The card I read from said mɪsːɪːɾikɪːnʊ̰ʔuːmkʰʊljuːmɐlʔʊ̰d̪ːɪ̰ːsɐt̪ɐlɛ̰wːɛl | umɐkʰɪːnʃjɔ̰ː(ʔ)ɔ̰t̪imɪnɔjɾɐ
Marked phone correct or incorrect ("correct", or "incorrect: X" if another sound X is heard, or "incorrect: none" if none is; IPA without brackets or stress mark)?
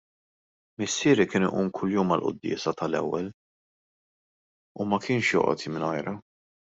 correct